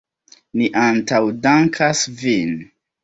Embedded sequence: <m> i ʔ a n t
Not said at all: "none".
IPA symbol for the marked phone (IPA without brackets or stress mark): n